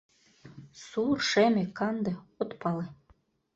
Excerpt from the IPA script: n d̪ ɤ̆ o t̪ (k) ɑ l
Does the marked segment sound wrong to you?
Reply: yes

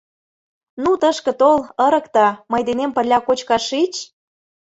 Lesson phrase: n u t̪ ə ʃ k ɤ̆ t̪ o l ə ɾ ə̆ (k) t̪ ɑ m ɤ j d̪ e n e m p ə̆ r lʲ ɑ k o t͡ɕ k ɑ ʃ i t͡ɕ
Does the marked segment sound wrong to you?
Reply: no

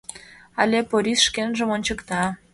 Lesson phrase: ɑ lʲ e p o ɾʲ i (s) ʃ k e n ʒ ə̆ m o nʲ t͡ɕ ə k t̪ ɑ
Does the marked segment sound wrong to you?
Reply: no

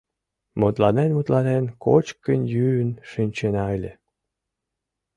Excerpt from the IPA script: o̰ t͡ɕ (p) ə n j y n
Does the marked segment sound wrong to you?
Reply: yes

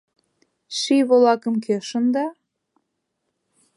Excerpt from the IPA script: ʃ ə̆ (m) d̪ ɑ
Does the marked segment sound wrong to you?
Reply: yes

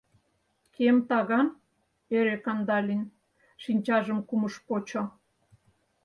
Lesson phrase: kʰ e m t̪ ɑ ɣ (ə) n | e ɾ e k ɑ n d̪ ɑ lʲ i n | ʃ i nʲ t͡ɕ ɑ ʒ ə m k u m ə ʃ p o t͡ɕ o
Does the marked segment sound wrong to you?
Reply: yes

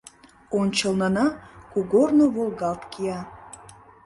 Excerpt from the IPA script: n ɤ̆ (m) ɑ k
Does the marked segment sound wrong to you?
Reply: yes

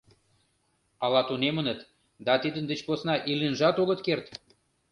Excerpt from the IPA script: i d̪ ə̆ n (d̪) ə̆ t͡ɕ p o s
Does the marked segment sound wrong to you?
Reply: no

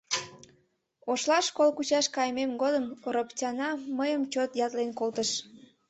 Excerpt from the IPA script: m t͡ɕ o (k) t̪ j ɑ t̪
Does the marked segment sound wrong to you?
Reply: yes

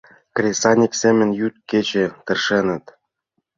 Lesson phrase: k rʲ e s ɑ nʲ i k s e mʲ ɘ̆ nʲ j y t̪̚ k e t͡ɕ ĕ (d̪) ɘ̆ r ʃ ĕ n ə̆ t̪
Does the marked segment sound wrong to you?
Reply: yes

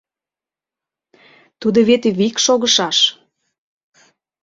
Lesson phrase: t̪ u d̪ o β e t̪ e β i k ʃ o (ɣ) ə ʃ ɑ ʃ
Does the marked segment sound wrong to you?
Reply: no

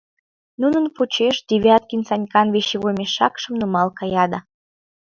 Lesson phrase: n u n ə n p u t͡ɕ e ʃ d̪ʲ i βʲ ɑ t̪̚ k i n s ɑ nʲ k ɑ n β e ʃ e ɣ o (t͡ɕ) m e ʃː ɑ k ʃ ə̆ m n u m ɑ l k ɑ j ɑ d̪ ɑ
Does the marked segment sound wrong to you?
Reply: yes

